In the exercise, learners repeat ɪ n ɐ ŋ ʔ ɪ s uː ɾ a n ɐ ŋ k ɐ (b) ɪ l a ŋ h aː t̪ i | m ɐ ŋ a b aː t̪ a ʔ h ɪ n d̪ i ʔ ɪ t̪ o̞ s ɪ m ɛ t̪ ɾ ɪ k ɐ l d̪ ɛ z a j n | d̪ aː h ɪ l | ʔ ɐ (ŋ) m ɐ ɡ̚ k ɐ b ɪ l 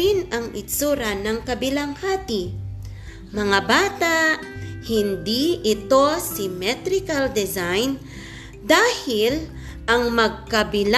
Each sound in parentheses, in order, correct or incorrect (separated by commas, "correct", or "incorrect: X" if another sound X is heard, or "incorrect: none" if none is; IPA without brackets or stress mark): correct, correct